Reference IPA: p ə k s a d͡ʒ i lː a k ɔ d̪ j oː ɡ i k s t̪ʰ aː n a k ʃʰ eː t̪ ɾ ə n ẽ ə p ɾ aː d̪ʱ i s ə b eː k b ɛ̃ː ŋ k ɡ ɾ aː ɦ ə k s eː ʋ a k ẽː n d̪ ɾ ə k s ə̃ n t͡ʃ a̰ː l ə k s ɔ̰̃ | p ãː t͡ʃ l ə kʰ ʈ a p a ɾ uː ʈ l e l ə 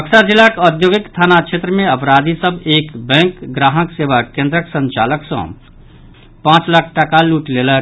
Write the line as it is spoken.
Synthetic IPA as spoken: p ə k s a d͡ʒ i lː a k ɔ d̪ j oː ɡ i k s t̪ʰ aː n a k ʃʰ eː t̪ ɾ ə m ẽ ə p ɾ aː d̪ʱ i s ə b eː k b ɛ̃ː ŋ k ɡ ɾ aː ɦ ə k s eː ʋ a k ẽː n d̪ ɾ ə k s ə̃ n t͡ʃ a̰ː l ə k s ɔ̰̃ | p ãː t͡ʃ l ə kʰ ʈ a k a l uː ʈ l e l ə